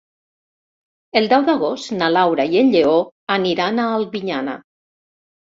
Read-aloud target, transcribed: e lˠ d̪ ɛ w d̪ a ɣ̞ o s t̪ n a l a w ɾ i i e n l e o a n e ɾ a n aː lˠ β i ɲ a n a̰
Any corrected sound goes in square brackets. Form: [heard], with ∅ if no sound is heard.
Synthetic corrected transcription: e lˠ d̪ ɛ w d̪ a ɣ̞ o s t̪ n a l a w ɾ [a] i e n [ʎ] e o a n [i] ɾ a n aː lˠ β i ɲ a n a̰